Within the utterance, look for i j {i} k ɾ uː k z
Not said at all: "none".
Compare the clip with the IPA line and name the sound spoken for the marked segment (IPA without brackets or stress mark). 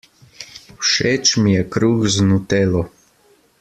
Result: ɛ